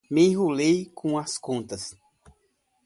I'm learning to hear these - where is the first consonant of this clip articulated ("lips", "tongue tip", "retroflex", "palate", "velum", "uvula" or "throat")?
lips